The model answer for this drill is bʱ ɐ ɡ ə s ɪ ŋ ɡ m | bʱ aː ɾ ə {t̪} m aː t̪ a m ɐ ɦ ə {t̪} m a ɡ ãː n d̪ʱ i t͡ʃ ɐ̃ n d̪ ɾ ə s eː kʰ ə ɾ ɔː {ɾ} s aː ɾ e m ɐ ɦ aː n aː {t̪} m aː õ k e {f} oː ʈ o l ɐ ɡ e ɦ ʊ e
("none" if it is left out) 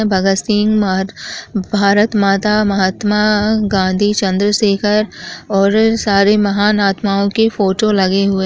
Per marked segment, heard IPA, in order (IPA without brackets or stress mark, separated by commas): t̪, t̪, ɾ, t̪, f